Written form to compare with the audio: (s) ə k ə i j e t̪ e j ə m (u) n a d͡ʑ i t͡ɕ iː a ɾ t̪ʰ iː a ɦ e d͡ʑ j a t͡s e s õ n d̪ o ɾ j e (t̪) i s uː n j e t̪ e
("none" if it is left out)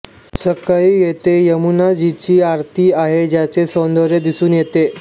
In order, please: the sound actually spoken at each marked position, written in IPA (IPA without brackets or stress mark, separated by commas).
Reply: s, u, d̪